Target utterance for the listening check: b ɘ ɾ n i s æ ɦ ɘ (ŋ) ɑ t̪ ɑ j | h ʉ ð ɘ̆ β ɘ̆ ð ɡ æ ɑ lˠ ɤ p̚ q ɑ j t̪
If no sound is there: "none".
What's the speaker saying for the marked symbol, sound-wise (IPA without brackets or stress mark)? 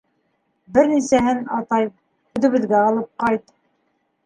n